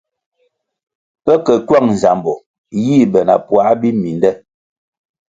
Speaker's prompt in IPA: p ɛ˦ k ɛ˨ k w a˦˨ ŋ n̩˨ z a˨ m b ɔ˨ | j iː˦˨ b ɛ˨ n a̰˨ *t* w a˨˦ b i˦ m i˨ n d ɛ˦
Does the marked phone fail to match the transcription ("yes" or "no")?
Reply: yes